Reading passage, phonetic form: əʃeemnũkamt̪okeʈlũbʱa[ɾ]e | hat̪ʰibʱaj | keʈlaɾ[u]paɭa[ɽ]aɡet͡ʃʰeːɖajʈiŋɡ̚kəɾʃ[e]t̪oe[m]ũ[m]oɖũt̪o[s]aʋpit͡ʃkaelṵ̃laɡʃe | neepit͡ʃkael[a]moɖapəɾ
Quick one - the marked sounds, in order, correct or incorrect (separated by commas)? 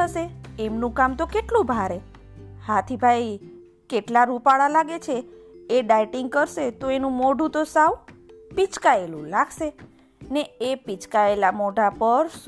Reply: correct, correct, incorrect, correct, incorrect, correct, correct, correct